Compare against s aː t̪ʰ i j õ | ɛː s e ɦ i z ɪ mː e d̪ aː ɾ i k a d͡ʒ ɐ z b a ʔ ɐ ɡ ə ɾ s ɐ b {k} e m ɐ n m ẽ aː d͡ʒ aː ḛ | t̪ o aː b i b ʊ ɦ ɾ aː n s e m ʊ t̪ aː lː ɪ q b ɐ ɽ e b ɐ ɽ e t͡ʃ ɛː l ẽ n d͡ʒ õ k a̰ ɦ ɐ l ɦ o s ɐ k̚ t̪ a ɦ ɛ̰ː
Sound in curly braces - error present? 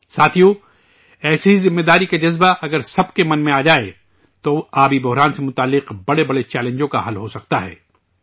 no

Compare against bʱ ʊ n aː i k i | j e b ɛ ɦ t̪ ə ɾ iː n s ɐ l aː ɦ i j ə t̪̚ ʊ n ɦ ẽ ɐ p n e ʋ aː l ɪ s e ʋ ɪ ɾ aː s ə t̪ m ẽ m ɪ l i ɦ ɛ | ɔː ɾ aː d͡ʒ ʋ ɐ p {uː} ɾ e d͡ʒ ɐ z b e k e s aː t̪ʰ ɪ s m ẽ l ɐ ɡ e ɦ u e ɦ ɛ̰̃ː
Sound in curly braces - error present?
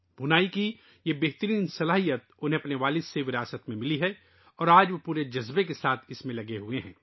no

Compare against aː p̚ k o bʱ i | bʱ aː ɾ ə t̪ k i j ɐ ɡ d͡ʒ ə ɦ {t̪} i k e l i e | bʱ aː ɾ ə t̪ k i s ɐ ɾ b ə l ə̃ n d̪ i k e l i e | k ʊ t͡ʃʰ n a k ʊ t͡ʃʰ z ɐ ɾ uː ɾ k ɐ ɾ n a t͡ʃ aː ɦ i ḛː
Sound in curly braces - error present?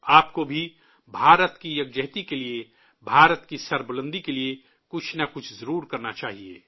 no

